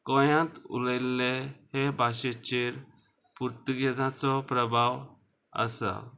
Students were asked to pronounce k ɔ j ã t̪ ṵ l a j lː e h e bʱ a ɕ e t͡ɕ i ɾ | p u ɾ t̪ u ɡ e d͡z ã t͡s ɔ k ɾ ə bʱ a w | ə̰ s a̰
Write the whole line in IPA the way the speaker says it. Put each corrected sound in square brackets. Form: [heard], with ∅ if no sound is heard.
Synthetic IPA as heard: k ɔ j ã t̪ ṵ l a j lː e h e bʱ a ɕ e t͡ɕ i ɾ | p u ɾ t̪ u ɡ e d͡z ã t͡s ɔ [p] ɾ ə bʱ a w | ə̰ s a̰